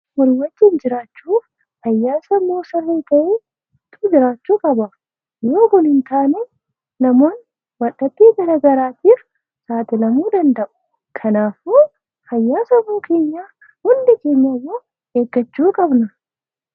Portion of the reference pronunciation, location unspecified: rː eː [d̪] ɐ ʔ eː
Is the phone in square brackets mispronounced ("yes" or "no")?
yes